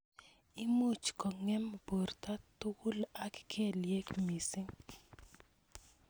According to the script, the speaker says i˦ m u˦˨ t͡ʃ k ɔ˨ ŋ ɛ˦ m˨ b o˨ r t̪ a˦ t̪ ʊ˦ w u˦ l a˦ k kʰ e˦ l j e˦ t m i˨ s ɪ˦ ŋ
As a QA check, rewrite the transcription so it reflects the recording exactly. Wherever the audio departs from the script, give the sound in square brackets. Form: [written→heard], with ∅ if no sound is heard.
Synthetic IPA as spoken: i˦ m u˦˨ t͡ʃ k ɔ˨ ŋ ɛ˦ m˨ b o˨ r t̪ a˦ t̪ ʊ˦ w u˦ l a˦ k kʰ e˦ l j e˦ [t→k] m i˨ s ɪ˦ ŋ